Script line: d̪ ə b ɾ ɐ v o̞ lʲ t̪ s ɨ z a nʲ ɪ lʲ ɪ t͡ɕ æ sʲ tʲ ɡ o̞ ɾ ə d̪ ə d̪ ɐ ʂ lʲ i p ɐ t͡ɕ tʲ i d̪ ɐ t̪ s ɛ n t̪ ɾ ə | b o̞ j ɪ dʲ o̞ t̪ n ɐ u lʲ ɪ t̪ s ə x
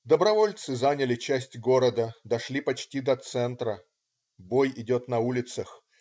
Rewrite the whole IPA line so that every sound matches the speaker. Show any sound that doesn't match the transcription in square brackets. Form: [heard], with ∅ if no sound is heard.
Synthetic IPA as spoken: d̪ ə b ɾ ɐ v o̞ lʲ t̪ s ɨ z a nʲ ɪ lʲ ɪ t͡ɕ æ sʲ tʲ ɡ o̞ ɾ ə d̪ ə d̪ ɐ ʂ lʲ i p ɐ t͡ɕ tʲ i d̪ ɐ t̪ s ɛ n t̪ ɾ ə | b o̞ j ɪ dʲ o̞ t̪ n ɐ u lʲ ɪ t̪ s ə x